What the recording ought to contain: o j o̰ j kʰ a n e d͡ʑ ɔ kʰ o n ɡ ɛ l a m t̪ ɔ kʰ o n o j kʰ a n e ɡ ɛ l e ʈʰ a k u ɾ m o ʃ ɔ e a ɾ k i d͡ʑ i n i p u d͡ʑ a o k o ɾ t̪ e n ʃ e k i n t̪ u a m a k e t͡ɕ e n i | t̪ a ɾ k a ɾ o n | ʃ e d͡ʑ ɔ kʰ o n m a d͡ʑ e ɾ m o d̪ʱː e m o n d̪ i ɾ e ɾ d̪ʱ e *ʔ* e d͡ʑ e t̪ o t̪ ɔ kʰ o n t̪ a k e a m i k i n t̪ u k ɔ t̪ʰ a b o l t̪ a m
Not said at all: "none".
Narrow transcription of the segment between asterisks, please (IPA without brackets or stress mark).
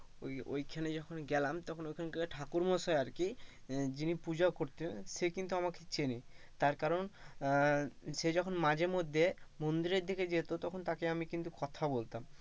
k